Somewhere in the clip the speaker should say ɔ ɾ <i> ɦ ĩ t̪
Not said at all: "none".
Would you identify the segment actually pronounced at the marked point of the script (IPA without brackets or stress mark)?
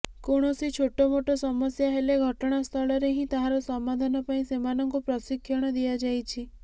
e